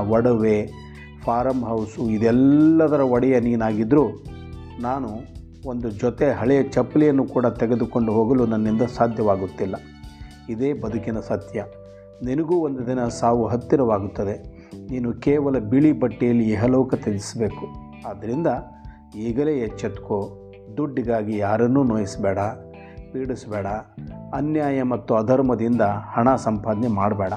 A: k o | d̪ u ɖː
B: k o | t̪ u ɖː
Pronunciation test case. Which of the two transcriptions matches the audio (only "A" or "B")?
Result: A